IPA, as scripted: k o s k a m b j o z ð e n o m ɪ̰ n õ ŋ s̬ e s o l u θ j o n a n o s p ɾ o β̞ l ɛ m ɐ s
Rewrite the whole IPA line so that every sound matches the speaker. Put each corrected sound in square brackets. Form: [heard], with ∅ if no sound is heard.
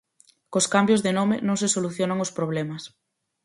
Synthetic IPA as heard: k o s k a m b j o z ð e n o m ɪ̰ n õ ŋ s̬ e s o l u θ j o n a [ŋ] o s p ɾ o β̞ l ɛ m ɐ s